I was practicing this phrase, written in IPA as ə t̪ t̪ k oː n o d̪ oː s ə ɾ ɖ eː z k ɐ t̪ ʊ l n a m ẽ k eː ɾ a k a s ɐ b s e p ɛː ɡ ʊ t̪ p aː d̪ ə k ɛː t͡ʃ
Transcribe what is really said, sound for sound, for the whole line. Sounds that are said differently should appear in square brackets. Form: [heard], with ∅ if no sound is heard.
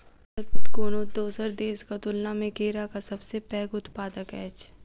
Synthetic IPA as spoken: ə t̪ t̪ k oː n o d̪ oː s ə ɾ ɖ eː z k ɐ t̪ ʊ l n a m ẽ k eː ɾ a k a s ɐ b s e p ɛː ɡ ʊ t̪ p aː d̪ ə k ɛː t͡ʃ